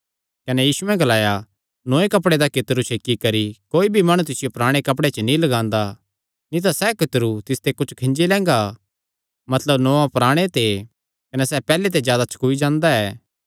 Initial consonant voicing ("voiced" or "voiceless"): voiceless